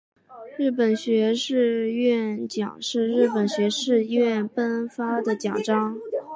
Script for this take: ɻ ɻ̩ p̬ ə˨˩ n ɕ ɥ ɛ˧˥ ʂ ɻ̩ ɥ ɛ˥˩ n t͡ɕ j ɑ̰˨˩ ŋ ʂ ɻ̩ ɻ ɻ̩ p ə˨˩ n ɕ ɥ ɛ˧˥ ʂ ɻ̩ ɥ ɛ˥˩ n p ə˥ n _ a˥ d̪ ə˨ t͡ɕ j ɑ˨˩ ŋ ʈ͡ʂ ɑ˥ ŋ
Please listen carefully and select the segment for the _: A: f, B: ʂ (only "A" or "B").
A